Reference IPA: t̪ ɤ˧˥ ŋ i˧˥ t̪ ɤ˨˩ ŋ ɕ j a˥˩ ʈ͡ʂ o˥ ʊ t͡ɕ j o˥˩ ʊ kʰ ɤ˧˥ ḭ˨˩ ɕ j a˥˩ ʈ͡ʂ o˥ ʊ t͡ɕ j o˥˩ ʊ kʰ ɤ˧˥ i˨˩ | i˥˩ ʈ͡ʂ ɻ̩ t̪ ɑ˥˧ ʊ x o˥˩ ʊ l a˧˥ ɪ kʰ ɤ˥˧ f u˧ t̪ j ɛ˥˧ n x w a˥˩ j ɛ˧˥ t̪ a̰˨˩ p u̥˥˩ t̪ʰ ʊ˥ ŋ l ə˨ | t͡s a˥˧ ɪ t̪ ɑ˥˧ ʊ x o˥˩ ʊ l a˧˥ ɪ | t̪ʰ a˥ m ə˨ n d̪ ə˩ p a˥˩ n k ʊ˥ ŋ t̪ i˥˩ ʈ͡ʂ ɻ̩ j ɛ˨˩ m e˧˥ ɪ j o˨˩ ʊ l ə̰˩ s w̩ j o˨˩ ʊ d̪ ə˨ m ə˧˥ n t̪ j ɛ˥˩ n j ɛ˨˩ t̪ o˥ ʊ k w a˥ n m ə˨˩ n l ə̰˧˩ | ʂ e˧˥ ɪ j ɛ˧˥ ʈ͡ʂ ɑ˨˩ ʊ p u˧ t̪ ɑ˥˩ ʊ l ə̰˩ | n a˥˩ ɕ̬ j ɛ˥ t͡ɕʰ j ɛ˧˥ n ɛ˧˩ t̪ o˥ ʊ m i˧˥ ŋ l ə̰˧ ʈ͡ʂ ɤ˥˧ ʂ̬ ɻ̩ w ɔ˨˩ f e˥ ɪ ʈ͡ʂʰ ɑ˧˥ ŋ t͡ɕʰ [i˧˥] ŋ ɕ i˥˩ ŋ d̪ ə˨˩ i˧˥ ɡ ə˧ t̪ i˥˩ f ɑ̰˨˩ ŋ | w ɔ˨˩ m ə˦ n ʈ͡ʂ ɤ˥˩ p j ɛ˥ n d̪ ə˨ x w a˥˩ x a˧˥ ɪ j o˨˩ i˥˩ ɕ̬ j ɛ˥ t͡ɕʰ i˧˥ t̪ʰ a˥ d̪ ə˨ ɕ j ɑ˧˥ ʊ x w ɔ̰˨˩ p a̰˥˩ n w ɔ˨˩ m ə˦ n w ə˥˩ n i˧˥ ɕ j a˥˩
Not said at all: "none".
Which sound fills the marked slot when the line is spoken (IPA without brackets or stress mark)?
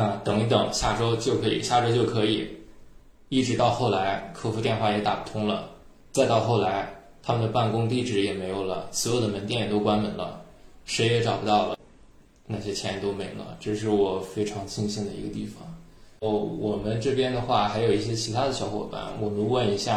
i˥˧